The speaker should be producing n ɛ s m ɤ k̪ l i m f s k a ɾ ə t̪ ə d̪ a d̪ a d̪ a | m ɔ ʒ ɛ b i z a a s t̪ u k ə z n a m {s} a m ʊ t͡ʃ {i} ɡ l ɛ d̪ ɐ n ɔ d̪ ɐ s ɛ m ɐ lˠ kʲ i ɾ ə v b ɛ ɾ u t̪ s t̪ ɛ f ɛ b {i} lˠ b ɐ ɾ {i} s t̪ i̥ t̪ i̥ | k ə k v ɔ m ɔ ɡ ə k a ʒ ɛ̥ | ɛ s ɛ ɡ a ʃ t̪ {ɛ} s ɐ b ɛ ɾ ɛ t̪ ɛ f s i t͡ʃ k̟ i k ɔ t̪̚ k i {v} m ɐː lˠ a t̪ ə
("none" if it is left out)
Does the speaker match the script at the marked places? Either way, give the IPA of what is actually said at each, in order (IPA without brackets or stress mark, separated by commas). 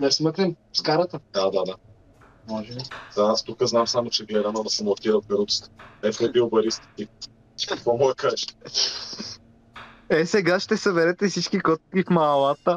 s, ɛ, i, i, ɛ, f